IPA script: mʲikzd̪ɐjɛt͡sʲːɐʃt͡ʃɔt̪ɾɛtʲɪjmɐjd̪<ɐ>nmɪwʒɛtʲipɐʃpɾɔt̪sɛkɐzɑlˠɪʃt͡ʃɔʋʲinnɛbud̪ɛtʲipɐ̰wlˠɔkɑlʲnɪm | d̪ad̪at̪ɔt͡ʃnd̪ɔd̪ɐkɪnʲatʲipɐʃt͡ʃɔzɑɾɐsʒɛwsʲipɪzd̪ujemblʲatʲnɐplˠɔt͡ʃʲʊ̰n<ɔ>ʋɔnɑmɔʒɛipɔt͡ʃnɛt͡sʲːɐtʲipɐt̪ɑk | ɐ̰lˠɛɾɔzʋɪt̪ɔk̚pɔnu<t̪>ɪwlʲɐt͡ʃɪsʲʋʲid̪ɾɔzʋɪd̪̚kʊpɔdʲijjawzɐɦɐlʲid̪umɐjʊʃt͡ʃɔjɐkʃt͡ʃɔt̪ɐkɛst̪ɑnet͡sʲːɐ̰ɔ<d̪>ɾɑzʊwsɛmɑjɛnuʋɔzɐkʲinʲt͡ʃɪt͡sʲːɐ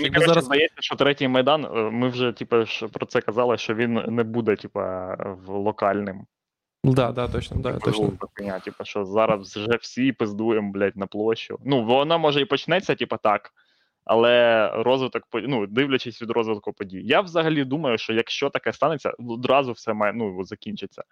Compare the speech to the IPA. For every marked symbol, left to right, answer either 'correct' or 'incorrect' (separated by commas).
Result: incorrect, incorrect, incorrect, correct